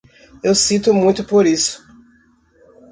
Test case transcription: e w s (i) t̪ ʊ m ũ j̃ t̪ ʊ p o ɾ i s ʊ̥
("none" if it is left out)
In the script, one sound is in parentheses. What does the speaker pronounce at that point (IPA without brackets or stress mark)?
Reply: i